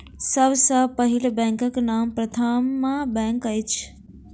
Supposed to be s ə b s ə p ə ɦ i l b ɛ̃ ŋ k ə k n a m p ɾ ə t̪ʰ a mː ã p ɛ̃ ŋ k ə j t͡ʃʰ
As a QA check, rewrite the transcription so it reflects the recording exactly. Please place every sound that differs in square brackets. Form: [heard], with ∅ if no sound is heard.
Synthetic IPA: s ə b s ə p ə ɦ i l b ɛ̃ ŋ k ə k n a m p ɾ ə t̪ʰ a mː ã [b] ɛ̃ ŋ k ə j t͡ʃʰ